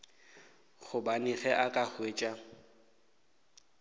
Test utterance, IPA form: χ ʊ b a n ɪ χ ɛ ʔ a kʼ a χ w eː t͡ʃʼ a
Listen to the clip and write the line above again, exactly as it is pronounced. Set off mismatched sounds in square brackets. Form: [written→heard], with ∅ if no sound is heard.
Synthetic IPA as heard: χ ʊ b a n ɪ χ ɛ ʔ a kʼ a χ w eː t͡ʃʼ a